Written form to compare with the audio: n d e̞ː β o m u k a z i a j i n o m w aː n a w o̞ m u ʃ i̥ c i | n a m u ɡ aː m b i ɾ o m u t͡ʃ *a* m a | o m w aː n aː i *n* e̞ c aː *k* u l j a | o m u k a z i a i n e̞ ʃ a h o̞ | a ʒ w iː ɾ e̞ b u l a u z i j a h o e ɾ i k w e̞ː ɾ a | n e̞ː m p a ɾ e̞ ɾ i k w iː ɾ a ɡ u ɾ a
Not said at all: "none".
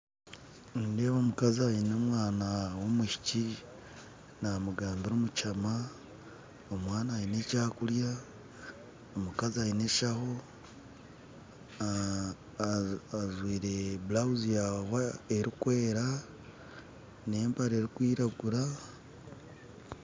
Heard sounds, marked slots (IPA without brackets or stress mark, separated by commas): a, n, k